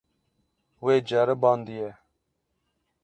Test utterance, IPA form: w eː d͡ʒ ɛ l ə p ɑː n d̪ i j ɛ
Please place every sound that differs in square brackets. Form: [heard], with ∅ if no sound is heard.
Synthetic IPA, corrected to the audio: w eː d͡ʒ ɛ [ɾ] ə [b] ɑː n d̪ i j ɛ